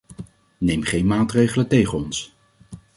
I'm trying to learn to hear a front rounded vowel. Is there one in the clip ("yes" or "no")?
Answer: no